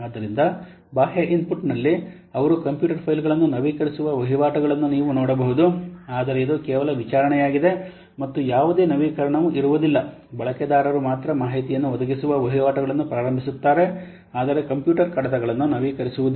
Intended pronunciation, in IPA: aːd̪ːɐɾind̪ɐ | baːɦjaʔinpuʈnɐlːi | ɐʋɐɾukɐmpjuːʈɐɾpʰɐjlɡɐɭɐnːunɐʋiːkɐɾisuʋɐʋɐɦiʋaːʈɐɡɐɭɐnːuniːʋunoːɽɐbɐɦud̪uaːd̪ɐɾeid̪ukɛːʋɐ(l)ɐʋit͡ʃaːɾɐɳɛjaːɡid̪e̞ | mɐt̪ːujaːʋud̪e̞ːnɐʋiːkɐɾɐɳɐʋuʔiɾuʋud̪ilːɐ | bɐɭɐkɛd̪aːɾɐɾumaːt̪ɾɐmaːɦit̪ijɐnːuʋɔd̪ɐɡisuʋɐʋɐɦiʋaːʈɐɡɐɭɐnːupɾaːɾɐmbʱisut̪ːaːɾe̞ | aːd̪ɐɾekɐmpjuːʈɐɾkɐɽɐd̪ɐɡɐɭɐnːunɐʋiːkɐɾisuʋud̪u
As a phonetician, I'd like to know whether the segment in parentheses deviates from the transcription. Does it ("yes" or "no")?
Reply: no